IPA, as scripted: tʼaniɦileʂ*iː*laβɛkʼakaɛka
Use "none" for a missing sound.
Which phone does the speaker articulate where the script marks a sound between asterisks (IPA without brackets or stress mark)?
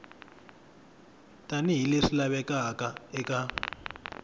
i